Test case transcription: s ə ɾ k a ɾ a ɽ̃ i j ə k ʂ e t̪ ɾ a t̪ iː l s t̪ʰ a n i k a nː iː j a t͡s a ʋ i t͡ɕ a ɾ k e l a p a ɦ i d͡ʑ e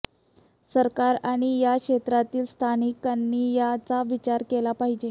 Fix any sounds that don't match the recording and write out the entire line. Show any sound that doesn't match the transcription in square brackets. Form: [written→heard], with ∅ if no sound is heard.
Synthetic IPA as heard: s ə ɾ k a ɾ a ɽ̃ i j [ə→a] k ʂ e t̪ ɾ a t̪ iː l s t̪ʰ a n i k a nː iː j a t͡s a ʋ i t͡ɕ a ɾ k e l a p a ɦ i d͡ʑ e